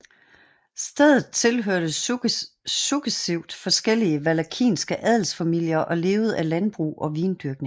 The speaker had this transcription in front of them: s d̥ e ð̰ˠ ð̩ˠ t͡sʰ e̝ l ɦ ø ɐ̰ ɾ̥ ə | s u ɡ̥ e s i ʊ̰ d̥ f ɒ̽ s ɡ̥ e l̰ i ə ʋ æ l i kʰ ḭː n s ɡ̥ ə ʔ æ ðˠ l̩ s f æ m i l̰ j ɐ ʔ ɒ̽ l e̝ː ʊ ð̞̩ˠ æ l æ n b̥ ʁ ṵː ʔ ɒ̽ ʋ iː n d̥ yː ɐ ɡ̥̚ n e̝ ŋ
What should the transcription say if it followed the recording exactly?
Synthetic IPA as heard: s d̥ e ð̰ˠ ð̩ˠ t͡sʰ e̝ l ɦ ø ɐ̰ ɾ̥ ə | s u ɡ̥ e s i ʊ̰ d̥ f ɒ̽ s ɡ̥ e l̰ i ə ʋ æ l æ kʰ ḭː n s ɡ̥ ə ʔ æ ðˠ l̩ s f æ m i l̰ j ɐ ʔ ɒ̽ l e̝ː ʊ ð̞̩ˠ æ l æ n b̥ ʁ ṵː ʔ ɒ̽ ʋ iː n d̥ y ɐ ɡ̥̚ n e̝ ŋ